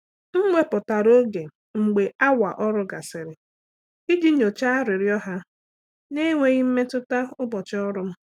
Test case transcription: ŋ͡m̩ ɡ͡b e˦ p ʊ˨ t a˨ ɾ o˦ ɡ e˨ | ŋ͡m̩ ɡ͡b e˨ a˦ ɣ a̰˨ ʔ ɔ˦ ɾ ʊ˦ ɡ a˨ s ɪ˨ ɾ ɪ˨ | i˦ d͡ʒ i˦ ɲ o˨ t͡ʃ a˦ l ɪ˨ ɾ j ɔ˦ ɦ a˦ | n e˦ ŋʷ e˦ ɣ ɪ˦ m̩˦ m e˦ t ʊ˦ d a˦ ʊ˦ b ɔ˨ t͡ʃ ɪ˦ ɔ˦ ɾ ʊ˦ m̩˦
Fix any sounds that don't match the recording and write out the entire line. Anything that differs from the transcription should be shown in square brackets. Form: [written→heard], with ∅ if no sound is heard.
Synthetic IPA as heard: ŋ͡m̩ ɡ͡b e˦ p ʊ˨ t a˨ ɾ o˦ ɡ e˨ | ŋ͡m̩ ɡ͡b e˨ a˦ [ɣ→w] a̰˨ ʔ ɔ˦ ɾ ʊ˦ ɡ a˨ s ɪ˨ ɾ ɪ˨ | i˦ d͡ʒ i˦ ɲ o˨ t͡ʃ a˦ [l→ɾ] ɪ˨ ɾ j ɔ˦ ɦ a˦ | n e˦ ŋʷ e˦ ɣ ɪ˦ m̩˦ m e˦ t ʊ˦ [d→t] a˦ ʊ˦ b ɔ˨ t͡ʃ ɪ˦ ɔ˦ ɾ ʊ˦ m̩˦